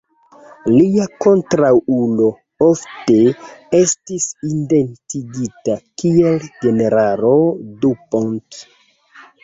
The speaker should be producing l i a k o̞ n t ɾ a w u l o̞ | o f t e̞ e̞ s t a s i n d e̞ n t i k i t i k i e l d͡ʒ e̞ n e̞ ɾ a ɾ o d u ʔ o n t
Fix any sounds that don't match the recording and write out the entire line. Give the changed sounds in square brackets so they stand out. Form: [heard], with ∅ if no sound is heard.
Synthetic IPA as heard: l i a k o̞ n t ɾ a w u l o̞ | o f t e̞ e̞ s t [i] s i n d e̞ n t i [ɡ] i t [a] k i e l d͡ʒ e̞ n e̞ ɾ a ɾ o d u [p] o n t